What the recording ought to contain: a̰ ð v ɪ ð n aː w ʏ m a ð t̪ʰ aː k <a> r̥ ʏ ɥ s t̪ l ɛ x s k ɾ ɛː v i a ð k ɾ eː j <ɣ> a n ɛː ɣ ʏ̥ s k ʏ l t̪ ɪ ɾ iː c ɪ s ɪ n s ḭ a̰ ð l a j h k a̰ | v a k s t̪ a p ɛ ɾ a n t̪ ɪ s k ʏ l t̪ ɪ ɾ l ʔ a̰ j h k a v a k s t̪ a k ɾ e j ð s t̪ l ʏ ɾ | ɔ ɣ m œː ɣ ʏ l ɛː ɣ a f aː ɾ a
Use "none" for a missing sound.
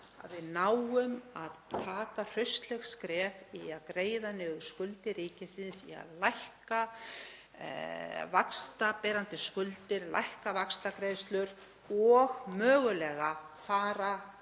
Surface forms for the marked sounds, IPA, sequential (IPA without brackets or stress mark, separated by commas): a, ð